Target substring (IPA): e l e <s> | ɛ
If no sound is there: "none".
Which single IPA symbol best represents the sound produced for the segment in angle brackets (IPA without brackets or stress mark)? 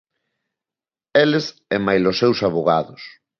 s